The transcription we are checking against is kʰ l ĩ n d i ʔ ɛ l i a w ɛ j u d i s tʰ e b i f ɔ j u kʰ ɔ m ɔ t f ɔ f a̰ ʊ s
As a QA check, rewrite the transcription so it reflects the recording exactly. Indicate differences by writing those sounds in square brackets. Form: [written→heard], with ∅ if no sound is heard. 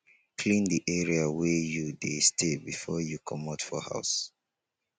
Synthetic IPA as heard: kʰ l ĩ n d i ʔ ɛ [l→ɹ] i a w ɛ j u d [i→e] s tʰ e b i f ɔ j u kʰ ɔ m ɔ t f ɔ [f→h] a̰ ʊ s